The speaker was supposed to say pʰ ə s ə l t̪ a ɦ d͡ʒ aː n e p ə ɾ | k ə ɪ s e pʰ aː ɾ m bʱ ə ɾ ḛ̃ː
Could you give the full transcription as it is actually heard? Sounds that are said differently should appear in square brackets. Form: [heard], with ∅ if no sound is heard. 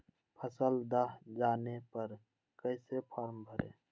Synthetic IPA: pʰ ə s ə l [d̪] a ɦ d͡ʒ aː n e p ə ɾ | k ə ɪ s e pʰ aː ɾ m bʱ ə ɾ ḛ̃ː